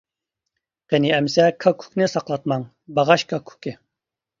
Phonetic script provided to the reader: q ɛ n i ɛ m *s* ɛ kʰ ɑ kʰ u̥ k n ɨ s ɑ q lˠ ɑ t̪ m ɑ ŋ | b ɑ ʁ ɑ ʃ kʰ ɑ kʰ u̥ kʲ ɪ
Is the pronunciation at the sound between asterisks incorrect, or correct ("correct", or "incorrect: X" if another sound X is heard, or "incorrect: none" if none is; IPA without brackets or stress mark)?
correct